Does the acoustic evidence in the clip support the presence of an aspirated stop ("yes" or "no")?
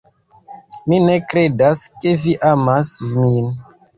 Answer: no